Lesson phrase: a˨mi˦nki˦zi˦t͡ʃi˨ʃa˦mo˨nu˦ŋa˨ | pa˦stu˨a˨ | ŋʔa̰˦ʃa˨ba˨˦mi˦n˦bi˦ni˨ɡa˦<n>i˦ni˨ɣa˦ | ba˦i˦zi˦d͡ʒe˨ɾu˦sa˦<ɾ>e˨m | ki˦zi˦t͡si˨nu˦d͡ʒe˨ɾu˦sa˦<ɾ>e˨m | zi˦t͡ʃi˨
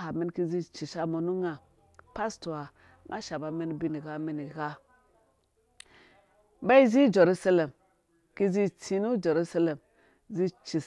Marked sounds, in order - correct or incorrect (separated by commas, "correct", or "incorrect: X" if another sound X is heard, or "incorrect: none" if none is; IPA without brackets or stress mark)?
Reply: incorrect: m, incorrect: l, incorrect: l